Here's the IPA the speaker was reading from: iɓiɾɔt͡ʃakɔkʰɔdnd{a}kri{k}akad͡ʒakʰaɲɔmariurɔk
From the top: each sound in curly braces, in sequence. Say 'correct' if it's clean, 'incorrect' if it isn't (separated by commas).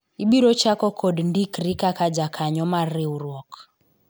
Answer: incorrect, correct